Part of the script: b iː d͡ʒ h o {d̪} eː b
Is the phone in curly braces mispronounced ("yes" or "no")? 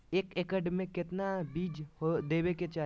no